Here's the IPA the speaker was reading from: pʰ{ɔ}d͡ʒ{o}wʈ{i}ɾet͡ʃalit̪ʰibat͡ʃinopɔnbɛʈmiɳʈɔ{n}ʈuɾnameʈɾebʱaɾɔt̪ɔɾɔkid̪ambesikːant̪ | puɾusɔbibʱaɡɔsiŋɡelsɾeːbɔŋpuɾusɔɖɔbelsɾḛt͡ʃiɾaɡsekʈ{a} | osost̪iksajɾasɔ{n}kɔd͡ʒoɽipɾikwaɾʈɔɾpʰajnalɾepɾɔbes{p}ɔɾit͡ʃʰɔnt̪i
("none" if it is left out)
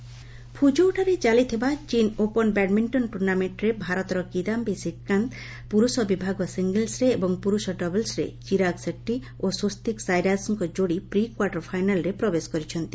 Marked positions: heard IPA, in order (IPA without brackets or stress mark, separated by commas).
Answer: u, o, a, n, i, ŋ, k